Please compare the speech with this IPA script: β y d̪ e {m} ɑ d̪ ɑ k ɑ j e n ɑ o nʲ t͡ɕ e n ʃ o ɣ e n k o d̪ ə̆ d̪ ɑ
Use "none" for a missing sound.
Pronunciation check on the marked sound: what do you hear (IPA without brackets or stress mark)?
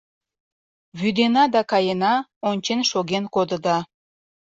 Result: n